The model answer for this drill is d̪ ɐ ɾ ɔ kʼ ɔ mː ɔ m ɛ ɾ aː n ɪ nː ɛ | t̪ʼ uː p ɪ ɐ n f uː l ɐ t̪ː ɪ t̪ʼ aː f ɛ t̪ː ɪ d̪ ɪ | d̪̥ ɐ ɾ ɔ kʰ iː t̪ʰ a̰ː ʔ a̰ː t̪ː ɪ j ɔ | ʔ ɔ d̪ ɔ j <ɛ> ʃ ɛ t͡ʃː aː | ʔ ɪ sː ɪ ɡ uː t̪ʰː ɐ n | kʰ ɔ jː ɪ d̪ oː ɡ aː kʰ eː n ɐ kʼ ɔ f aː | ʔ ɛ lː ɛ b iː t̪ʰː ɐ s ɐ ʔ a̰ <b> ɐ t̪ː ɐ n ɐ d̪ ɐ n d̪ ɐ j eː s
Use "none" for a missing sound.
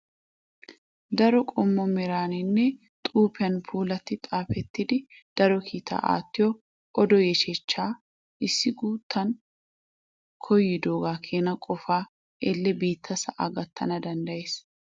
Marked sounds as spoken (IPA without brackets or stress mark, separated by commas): ɛ, ɡ